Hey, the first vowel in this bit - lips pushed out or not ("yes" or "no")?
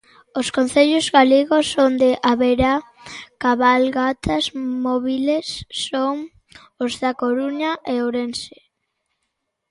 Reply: yes